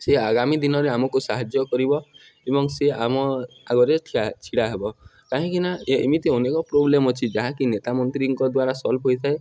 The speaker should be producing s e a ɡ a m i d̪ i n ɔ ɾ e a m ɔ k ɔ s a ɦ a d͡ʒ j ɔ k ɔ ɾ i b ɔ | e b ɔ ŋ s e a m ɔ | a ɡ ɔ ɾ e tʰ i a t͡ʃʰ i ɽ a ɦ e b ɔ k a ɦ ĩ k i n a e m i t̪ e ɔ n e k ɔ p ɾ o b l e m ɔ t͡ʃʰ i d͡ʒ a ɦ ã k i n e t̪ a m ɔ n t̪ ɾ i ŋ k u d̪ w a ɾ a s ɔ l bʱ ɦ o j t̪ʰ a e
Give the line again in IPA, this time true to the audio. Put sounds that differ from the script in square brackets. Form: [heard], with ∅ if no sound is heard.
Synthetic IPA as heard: s e a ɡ a m i d̪ i n ɔ ɾ e a m ɔ k [u] s a ɦ a d͡ʒ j ɔ k ɔ ɾ i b ɔ | e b ɔ ŋ s e a m ɔ | a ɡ ɔ ɾ e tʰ i a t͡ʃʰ i ɽ a ɦ e b ɔ k a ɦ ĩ k i n a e m i t̪ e ɔ n e k ɔ p ɾ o b l e m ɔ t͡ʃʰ i d͡ʒ a ɦ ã k i n e t̪ a m ɔ n t̪ ɾ i ŋ k [ɔ] d̪ w a ɾ a s ɔ l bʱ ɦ o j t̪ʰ a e